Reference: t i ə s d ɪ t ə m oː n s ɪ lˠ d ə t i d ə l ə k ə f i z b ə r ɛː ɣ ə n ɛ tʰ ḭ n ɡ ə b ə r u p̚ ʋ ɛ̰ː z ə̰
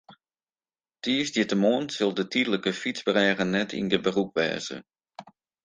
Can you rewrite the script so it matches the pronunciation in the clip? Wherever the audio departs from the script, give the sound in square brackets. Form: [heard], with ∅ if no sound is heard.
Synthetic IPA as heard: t i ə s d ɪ t ə m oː n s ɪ lˠ d ə t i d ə l ə k ə f i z b ə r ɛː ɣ ə n ɛ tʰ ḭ n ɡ ə b ə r u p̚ ʋ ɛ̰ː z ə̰

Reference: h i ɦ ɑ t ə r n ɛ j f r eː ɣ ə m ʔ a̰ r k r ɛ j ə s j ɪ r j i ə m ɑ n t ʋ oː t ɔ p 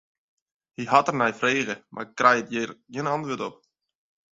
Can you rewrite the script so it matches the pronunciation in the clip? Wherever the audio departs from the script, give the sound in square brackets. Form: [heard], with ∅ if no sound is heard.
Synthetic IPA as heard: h i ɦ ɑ t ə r n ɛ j f r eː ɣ ə m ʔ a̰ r k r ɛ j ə [t] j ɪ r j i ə [n] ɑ n t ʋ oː t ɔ p

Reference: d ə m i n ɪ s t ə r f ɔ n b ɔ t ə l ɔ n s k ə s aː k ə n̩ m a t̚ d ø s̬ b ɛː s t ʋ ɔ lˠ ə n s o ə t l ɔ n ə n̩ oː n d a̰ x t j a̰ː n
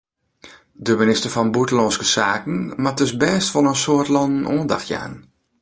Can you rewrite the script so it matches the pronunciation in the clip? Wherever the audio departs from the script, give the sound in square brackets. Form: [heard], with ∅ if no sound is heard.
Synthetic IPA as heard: d ə m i n ɪ s t ə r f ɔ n b [u] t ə l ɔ n s k ə s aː k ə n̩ m a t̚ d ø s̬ b ɛː s t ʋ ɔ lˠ ə n s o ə t l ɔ n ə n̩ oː n d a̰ x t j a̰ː n

